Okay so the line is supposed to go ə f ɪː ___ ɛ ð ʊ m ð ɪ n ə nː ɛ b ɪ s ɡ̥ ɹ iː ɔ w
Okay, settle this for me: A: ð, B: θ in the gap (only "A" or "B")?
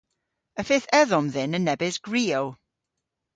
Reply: B